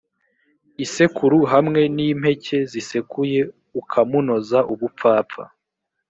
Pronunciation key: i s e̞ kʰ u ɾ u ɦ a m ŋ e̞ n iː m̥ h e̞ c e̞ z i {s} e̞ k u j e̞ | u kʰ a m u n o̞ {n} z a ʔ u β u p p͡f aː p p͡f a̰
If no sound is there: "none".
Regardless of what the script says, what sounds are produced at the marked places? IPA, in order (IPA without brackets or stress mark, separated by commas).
s, none